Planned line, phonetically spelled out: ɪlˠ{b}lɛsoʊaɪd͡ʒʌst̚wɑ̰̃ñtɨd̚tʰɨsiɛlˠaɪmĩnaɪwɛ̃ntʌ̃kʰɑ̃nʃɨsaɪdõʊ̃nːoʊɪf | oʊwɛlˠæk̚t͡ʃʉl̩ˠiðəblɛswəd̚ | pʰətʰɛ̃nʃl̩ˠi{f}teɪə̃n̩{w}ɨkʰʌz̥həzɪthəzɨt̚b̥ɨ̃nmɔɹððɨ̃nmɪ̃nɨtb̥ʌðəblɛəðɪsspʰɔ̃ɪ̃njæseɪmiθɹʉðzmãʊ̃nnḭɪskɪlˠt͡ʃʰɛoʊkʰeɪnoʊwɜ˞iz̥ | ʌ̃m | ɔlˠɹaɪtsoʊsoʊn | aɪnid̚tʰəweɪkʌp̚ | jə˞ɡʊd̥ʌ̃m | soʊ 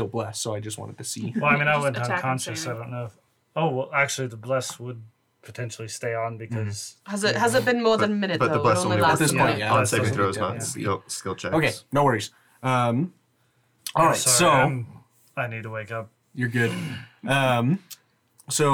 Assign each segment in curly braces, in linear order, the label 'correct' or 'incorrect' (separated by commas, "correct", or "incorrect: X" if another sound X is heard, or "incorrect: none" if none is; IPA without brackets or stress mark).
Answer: correct, incorrect: s, incorrect: b